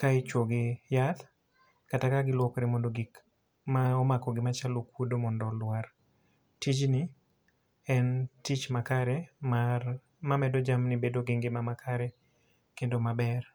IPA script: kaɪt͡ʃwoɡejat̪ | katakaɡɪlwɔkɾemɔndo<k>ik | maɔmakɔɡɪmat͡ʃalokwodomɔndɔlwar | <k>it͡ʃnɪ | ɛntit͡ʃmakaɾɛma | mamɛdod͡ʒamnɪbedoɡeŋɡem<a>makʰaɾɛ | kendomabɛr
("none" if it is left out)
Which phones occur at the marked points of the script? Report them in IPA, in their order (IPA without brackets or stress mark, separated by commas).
ɡ, t, a